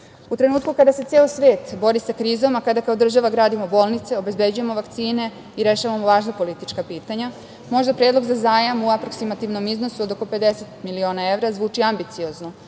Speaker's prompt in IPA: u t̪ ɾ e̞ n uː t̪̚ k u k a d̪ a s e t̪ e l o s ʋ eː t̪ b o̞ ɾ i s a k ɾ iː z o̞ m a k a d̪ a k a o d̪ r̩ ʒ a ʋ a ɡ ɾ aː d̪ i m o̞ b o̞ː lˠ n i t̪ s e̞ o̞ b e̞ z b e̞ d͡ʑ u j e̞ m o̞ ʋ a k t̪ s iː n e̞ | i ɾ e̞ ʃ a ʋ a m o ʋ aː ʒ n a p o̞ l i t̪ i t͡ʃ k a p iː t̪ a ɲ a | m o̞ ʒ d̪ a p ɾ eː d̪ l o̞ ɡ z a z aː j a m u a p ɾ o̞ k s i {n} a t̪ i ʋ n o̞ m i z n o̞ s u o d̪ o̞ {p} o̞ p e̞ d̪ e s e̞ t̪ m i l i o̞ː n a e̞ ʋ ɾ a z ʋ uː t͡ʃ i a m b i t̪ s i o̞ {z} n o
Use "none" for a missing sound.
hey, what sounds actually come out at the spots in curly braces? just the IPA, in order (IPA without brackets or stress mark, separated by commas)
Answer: m, k, z